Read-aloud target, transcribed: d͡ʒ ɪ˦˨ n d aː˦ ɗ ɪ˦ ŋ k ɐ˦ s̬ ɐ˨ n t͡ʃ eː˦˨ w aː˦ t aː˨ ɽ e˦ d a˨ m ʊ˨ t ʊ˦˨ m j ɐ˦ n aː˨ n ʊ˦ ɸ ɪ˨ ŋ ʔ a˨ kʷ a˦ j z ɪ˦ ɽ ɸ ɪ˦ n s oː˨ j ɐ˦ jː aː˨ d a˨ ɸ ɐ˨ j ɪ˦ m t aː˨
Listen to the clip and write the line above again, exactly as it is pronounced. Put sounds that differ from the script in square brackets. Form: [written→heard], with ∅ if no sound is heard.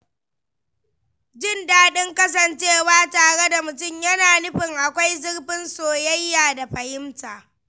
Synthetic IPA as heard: d͡ʒ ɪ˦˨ n d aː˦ ɗ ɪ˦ ŋ k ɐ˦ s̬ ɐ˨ n t͡ʃ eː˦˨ w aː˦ t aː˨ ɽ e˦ d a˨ m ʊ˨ t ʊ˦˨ m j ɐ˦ n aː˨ n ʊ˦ ɸ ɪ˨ ŋ ʔ a˨ kʷ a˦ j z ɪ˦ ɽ ɸ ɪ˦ n s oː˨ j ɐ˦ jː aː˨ d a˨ ɸ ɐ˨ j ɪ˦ m t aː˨